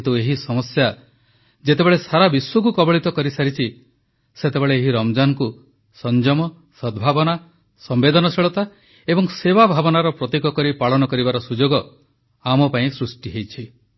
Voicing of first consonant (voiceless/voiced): voiceless